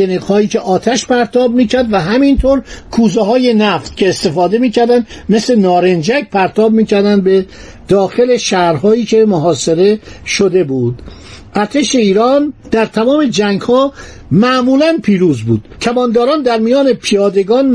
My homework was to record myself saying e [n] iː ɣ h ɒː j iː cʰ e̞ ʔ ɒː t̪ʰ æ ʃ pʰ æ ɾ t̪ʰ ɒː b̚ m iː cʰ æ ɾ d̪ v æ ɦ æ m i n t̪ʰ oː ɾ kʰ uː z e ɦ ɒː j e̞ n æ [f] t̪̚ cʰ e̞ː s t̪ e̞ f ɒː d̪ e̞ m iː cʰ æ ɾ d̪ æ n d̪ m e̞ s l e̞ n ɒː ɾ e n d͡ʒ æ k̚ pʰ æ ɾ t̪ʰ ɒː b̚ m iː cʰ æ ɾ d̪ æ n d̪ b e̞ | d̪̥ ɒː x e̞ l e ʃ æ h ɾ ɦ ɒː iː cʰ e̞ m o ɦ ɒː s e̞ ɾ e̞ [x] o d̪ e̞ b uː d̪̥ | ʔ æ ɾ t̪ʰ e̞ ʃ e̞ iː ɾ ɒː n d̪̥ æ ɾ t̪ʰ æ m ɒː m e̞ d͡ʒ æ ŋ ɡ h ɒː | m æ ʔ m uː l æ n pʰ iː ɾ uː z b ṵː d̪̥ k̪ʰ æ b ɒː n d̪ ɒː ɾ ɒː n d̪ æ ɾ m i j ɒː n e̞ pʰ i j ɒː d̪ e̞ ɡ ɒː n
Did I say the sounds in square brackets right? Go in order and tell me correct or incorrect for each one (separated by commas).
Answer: correct, correct, incorrect